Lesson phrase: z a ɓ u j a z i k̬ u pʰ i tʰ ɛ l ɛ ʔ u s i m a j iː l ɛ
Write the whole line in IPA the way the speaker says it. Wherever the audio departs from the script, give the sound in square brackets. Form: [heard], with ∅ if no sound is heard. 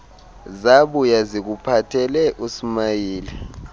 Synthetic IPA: z a ɓ u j a z i k̬ u pʰ [a] tʰ ɛ l ɛ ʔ u s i m a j iː l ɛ